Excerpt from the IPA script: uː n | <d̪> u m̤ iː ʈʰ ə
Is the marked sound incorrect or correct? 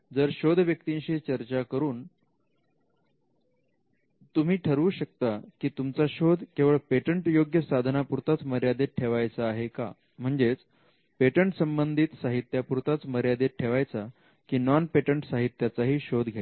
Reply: incorrect